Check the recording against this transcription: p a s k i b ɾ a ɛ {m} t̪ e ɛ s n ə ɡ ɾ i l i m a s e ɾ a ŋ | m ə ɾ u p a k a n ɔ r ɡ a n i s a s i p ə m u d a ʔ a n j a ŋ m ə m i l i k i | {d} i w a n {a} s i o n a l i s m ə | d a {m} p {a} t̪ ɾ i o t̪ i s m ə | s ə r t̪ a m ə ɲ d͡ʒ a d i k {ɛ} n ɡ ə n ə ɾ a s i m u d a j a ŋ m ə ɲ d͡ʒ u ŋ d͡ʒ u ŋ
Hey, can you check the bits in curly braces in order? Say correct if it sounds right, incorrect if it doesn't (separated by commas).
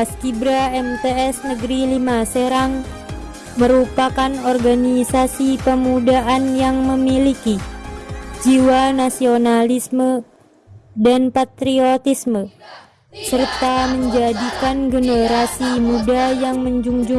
correct, incorrect, correct, incorrect, correct, incorrect